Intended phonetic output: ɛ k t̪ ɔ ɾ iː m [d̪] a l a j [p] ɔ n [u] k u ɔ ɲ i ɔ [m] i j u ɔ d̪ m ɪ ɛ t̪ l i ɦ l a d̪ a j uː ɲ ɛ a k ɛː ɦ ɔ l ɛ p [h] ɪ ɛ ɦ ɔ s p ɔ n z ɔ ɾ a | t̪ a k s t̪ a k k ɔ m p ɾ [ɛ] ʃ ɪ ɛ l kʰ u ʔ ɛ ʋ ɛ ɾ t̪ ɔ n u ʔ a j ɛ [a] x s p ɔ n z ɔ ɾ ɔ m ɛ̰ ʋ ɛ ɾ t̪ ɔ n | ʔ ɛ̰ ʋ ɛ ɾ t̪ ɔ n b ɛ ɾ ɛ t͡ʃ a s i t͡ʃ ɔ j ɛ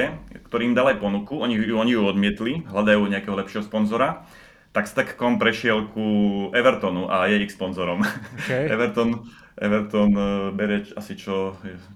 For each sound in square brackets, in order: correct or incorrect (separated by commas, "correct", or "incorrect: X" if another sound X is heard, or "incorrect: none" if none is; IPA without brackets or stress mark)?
correct, correct, correct, incorrect: ɲ, incorrect: ʃ, correct, incorrect: i